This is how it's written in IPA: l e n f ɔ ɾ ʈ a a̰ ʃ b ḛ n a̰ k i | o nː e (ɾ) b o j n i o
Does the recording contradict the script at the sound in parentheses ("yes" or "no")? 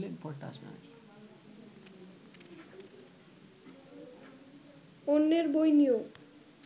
no